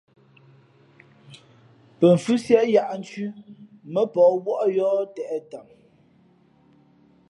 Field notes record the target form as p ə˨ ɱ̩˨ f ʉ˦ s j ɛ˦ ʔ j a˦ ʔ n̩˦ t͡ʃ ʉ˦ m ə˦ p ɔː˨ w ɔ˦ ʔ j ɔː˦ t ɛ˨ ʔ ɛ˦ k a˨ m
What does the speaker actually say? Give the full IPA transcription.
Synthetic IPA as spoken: p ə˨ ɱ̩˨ f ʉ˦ s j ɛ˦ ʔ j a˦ ʔ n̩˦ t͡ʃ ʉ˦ m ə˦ p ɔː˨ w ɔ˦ ʔ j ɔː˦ t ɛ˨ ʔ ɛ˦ t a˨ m